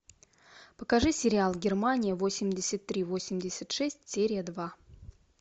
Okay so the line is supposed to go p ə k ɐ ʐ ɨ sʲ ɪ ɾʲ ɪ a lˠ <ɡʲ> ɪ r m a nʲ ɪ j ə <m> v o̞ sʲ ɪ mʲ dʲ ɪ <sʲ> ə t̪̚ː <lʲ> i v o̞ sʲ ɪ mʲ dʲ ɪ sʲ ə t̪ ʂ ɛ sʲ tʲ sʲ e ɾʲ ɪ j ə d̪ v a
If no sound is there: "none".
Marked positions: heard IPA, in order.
ɡʲ, none, sʲ, ɾʲ

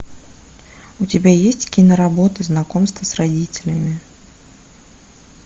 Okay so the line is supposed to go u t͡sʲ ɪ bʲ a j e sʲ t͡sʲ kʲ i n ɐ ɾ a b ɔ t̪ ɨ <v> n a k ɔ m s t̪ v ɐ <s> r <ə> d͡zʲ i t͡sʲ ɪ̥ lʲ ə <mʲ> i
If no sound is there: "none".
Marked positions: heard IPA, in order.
z, s, a, mʲ

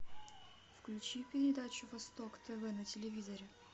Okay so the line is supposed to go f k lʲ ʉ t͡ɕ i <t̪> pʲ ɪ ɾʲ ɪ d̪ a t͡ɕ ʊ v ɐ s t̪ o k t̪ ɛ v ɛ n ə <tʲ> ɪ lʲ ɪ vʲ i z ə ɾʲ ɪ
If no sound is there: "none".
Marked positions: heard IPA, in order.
none, tʲ

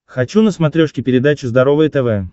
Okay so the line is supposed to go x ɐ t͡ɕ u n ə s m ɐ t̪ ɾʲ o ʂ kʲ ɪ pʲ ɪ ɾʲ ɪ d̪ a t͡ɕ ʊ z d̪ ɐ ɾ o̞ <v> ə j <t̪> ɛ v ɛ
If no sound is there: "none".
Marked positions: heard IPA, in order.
v, t̪

